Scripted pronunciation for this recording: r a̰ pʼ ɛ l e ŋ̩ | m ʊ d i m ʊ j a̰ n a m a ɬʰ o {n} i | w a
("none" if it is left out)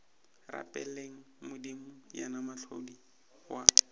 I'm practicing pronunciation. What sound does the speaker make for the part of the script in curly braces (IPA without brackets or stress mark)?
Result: d